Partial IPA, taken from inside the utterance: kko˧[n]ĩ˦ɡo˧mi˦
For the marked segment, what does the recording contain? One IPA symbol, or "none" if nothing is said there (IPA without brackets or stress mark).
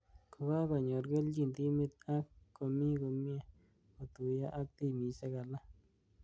m